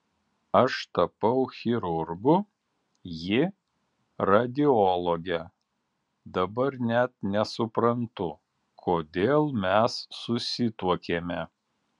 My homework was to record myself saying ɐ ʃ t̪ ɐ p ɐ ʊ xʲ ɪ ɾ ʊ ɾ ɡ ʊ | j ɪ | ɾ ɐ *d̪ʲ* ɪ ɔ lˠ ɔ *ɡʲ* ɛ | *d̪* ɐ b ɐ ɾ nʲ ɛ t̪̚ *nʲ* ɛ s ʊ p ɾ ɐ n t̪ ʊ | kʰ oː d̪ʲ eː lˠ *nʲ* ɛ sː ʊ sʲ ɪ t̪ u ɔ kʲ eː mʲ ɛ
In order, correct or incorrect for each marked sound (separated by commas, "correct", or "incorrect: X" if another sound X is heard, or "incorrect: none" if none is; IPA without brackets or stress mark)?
correct, correct, correct, correct, incorrect: mʲ